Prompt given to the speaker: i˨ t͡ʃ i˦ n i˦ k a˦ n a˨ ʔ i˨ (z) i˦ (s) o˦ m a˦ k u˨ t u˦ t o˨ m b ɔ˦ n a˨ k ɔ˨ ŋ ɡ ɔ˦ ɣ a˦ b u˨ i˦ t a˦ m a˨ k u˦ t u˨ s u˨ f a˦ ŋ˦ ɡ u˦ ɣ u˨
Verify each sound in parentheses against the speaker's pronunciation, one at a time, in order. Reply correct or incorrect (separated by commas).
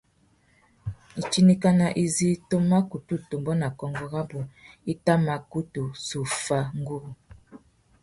correct, incorrect